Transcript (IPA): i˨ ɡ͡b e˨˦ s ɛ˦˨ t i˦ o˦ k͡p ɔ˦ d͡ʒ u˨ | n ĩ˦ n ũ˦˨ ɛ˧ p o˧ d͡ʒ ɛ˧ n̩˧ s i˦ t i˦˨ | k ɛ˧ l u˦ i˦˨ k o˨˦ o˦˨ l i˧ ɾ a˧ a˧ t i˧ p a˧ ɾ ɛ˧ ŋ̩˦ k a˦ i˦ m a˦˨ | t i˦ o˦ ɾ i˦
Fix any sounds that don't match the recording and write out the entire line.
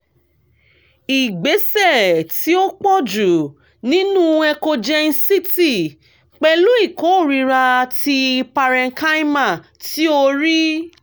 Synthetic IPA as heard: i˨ ɡ͡b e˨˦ s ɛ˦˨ t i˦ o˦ k͡p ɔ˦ d͡ʒ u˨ | n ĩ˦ n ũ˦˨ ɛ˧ k o˧ d͡ʒ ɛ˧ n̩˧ s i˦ t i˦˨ | k͡p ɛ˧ l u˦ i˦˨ k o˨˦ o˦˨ ɾ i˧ ɾ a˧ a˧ t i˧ p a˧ ɾ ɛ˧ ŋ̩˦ k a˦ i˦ m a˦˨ | t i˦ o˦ ɾ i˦